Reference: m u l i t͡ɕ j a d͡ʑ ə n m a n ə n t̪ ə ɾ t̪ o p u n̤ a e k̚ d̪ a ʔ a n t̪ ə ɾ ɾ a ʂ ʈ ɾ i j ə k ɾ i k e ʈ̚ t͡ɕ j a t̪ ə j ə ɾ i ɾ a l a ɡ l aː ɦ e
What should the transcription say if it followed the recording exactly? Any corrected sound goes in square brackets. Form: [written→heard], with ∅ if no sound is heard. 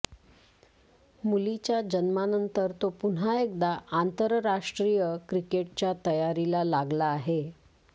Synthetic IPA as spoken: m u l i t͡ɕ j a d͡ʑ ə n m a n ə n t̪ ə ɾ t̪ o p u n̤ a e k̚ d̪ a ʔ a n t̪ ə ɾ ɾ a ʂ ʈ ɾ i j ə k ɾ i k e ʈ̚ t͡ɕ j a t̪ ə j [ə→a] ɾ i [ɾ→l] a l a ɡ l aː ɦ e